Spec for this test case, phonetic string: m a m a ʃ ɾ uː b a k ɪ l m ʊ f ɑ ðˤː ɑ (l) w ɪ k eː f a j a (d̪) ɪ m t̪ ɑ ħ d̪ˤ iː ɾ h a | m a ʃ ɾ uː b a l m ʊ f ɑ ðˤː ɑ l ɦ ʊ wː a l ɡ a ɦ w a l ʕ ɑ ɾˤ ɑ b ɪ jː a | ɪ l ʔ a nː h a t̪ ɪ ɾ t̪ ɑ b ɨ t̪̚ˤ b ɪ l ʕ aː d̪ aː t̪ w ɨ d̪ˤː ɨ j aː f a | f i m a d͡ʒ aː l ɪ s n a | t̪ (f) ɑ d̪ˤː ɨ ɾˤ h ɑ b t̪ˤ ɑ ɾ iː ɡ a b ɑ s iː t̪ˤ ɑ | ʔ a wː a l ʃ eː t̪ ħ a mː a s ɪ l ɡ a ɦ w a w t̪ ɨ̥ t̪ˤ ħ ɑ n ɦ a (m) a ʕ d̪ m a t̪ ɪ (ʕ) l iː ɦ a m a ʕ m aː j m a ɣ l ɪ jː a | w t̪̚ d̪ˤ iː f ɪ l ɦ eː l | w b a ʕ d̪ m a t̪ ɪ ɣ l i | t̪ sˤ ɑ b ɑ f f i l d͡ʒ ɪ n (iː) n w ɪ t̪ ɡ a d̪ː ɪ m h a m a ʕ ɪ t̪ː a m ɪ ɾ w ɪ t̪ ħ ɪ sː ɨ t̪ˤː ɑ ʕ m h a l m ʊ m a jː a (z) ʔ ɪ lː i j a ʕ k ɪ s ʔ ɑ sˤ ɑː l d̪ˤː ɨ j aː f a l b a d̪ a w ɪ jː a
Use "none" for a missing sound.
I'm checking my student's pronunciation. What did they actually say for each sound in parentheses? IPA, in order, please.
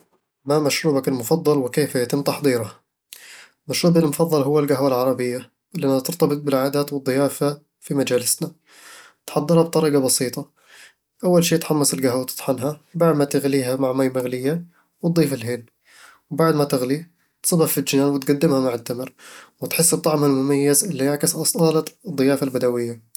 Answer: l, t̪, ħ, b, ɣ, aː, z

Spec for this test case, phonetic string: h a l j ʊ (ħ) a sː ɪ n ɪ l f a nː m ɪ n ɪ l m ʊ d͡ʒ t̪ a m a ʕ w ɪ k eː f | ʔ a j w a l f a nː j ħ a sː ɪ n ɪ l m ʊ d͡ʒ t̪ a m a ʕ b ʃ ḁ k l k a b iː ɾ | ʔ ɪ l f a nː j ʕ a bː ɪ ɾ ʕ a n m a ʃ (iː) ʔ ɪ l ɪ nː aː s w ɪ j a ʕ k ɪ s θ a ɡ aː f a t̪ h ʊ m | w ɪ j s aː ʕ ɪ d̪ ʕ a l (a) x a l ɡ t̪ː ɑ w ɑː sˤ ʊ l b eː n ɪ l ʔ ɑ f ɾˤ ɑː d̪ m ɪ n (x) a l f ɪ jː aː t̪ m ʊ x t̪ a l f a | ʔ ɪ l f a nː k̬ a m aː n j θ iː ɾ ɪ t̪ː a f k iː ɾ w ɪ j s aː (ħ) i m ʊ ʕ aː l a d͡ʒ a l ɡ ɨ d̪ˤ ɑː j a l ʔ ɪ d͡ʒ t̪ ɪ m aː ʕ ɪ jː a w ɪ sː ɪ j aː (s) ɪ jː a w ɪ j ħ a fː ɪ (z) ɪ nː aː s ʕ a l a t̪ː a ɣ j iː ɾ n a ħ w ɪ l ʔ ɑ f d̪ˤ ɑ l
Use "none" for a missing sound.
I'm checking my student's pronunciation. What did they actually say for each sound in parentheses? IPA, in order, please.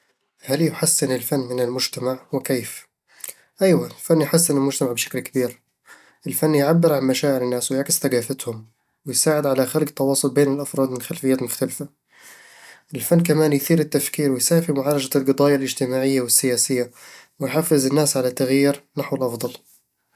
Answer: ħ, aː, a, x, f, s, z

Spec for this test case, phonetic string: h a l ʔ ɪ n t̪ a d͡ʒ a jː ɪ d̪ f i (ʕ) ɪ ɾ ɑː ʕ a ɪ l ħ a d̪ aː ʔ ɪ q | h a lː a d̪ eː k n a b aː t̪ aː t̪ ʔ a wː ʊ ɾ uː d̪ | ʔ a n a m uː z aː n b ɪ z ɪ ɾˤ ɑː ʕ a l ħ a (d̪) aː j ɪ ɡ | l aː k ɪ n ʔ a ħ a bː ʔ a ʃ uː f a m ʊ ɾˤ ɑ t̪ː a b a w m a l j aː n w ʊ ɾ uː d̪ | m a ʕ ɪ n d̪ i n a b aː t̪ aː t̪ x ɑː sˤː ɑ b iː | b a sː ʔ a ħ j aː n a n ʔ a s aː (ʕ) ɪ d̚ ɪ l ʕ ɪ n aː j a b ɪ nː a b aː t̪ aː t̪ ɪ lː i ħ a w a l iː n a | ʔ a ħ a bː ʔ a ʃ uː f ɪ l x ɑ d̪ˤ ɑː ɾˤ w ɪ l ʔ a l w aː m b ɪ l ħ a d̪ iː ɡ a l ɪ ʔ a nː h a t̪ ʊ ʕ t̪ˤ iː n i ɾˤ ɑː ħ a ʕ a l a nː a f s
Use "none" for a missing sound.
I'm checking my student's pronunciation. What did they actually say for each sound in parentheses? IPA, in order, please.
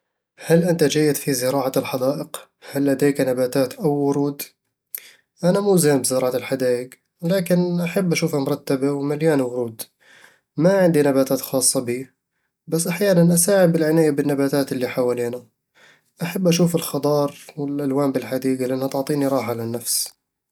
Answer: z, d̪, ʕ

